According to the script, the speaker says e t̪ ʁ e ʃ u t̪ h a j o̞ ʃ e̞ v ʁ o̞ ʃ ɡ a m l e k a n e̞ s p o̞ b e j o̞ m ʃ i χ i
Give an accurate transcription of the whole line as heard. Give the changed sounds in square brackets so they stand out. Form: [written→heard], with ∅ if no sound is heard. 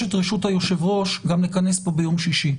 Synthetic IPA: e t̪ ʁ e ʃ u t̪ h a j o̞ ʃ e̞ v ʁ o̞ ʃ ɡ a m l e k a n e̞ s p o̞ b e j o̞ m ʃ i [χ→ʃ] i